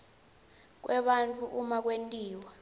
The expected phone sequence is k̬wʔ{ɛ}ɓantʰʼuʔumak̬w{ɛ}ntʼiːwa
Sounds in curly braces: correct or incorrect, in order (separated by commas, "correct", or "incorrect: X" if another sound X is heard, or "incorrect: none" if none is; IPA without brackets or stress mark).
correct, incorrect: e